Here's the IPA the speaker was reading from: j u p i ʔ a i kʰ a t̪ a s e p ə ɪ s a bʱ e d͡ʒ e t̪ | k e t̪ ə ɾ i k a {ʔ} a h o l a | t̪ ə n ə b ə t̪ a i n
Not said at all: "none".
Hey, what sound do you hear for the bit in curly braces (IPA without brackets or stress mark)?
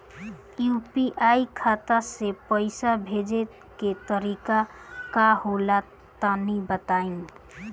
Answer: k